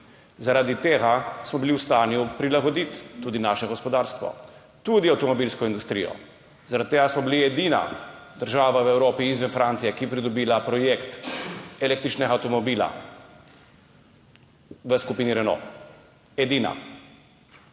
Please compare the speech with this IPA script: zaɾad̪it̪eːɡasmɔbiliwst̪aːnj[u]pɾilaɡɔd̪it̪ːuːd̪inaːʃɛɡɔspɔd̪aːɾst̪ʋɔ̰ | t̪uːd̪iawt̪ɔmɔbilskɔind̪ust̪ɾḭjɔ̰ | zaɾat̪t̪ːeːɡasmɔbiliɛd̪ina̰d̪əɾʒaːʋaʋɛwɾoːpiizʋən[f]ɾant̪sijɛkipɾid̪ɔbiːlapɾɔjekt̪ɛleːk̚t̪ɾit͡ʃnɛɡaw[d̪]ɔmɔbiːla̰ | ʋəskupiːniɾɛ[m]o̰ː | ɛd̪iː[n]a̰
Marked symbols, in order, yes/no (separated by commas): yes, yes, no, no, yes